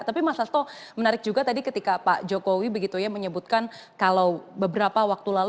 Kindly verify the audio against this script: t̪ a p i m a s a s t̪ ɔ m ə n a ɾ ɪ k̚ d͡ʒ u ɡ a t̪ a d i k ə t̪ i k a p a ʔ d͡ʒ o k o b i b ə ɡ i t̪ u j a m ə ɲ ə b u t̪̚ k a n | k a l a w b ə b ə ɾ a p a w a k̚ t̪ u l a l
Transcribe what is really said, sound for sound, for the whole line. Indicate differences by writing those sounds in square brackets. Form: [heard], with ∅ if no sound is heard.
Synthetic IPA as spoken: t̪ a p i m a s a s t̪ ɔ m ə n a ɾ ɪ k̚ d͡ʒ u ɡ a t̪ a d i k ə t̪ i k a p a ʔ d͡ʒ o k o [w] i b ə ɡ i t̪ u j a m ə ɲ ə b u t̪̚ k a n | k a l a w b ə b ə ɾ a p a w a k̚ t̪ u l a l